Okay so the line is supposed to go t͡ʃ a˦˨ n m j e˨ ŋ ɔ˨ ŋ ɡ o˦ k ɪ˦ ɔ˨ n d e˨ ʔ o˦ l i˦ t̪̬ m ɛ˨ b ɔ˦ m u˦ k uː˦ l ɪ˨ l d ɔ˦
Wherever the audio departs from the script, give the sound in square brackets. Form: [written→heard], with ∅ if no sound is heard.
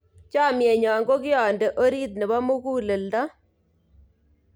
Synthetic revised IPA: t͡ʃ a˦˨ [n→∅] m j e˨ [ŋ→ɲ] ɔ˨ ŋ ɡ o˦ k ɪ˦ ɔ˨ n d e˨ ʔ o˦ [l→ɾ] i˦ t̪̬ [m→n] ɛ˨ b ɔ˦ m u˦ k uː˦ l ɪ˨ l d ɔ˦